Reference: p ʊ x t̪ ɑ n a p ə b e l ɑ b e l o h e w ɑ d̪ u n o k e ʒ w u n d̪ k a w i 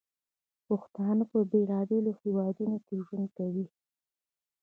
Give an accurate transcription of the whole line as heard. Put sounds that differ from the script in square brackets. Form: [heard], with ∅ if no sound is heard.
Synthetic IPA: p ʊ x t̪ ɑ n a p ə b e l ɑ b e l o h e w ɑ d̪ u n o k e ʒ w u n d̪ k a w i